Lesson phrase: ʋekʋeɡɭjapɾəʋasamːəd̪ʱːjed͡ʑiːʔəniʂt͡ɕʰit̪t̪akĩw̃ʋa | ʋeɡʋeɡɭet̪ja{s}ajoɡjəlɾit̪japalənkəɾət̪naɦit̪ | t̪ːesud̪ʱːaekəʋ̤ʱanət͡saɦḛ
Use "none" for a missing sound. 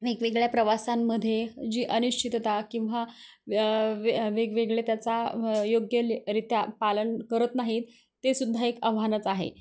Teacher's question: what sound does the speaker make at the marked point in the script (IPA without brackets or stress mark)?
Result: t͡s